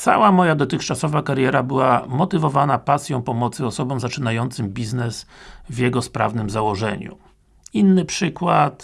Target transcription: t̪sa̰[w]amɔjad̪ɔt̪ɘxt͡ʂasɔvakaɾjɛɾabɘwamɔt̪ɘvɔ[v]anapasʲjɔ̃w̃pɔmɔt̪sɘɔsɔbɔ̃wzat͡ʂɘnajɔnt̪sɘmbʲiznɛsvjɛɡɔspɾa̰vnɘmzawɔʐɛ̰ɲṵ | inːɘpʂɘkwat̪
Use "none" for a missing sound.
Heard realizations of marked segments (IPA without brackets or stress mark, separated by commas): w, v